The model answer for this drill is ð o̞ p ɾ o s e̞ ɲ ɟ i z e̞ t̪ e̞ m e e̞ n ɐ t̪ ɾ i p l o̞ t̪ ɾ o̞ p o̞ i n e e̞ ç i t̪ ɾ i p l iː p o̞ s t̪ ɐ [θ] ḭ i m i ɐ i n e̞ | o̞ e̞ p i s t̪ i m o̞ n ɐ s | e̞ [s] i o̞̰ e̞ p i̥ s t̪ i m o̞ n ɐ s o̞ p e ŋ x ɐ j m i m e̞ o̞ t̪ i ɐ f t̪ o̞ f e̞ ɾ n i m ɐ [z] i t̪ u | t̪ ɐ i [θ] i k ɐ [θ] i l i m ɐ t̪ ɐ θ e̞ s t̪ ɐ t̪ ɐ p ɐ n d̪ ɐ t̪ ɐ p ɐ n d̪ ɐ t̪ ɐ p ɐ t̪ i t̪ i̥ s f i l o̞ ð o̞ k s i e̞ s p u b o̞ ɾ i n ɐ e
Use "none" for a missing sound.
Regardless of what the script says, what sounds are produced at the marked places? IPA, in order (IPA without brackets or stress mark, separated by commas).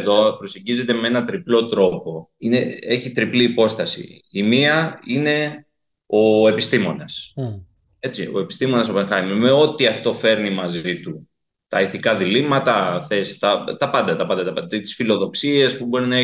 s, t͡s, z, θ, ð